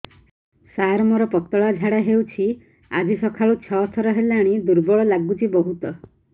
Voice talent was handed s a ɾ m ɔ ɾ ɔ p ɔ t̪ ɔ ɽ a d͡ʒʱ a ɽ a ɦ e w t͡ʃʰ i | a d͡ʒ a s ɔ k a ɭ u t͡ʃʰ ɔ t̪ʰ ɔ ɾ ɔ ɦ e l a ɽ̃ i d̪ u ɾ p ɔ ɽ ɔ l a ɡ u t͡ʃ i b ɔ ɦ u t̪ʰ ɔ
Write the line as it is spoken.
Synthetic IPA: s a ɾ m ɔ ɾ ɔ p ɔ t̪ ɔ ɭ a d͡ʒʱ a ɽ a ɦ e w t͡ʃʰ i | a d͡ʒ i s ɔ kʰ a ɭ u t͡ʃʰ ɔ t̪ʰ ɔ ɾ ɔ ɦ e l a ɽ̃ i d̪ u ɾ b ɔ ɭ ɔ l a ɡ u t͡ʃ i b ɔ ɦ u t̪ ɔ